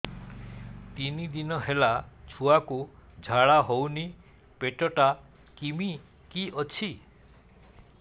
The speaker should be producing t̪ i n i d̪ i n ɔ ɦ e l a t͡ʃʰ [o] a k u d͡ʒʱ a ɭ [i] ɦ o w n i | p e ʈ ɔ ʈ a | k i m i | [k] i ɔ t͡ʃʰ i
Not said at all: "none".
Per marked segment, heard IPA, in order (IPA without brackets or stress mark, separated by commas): u, a, k